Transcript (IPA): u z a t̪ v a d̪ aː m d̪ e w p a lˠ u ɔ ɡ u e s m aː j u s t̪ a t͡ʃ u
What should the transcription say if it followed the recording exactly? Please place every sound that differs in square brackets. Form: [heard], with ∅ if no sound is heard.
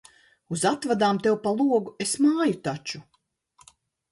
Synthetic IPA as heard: u z a t̪ v a d̪ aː m [t̪] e w p a lˠ u ɔ ɡ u e s m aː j u [∅] t̪ a t͡ʃ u